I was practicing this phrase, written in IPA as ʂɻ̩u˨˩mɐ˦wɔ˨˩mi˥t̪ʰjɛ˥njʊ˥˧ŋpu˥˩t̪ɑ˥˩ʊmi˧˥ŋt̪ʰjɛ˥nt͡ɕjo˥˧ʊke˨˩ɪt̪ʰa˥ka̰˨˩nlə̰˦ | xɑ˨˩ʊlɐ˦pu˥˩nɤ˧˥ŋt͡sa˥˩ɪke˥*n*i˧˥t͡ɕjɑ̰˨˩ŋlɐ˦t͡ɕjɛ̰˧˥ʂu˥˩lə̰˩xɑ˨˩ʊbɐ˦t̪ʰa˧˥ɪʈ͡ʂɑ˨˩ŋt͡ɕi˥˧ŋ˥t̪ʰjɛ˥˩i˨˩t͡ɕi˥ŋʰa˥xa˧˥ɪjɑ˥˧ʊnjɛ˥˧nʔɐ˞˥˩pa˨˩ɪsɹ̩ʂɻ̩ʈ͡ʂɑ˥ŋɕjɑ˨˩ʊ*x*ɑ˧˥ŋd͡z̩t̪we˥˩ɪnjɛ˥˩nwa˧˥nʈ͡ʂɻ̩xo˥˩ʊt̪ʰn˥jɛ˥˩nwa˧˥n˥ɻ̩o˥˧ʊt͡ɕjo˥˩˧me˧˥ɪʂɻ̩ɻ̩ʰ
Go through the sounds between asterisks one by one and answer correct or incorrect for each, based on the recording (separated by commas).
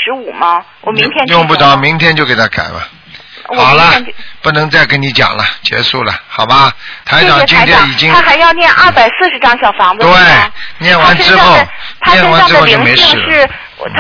correct, incorrect